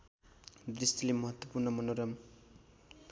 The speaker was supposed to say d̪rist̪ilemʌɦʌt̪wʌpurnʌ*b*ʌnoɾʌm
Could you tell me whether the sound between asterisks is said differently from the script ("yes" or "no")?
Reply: yes